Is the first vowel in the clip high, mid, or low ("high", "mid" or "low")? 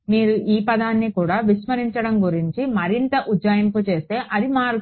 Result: high